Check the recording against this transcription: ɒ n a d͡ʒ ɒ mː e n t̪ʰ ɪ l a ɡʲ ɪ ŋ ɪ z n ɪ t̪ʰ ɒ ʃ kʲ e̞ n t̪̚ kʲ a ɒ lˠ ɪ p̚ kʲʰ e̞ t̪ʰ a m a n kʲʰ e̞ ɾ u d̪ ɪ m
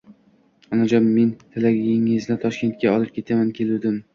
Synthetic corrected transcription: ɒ n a d͡ʒ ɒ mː e n t̪ʰ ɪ l a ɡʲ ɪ ŋ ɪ z n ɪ t̪ʰ ɒ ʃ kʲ e̞ n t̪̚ kʲ a ɒ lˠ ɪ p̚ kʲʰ e̞ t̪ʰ a m a n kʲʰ e̞ l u d̪ ɪ m